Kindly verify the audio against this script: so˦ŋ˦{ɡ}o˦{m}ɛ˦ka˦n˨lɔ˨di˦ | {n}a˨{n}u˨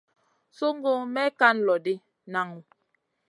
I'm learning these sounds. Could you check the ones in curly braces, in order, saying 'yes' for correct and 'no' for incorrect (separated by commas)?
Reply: yes, yes, yes, no